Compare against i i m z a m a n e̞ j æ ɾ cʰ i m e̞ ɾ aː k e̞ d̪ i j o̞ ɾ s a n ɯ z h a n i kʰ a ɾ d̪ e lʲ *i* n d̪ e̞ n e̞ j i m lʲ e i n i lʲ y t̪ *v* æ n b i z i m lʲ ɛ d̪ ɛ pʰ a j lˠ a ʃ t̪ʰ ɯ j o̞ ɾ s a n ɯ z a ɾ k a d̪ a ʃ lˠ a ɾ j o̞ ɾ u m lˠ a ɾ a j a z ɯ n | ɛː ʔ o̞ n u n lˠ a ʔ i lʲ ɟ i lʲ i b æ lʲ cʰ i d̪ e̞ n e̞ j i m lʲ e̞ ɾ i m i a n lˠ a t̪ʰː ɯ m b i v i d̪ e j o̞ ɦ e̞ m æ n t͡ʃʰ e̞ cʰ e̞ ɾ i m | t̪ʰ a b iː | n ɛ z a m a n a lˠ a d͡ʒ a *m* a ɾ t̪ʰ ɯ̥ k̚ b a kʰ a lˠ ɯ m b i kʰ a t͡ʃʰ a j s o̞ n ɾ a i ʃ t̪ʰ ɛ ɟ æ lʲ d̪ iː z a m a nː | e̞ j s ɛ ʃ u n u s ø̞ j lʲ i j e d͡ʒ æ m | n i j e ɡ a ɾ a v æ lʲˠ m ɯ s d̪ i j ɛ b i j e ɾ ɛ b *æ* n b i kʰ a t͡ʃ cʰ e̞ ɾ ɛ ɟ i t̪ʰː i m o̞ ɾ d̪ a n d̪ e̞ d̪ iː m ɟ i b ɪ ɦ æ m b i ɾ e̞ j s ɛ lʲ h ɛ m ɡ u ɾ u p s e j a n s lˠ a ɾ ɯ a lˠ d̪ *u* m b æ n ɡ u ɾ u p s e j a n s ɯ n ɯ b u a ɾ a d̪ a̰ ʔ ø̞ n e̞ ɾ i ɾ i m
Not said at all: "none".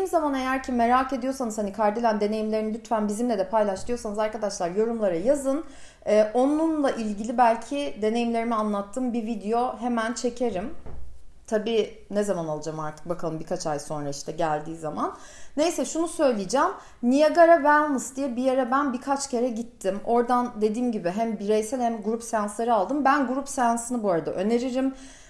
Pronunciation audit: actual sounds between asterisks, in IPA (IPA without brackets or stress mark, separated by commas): æ, f, m, æ, ɯ